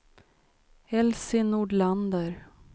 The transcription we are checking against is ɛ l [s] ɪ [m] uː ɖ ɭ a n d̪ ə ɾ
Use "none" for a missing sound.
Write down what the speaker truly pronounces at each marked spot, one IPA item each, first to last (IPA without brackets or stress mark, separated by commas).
s, n